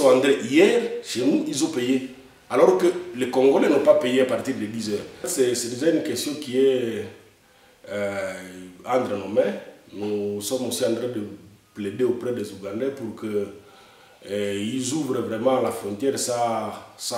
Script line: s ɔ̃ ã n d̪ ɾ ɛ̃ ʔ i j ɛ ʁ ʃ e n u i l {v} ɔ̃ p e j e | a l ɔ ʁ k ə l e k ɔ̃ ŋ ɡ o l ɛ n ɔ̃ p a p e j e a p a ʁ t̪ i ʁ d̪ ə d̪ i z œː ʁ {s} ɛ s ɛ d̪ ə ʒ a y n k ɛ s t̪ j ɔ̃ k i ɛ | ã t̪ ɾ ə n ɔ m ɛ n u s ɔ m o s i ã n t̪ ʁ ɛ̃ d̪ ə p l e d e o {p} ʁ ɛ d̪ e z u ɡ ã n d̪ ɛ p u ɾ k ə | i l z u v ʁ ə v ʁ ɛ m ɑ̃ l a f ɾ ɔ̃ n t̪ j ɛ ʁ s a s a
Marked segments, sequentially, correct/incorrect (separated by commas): incorrect, correct, correct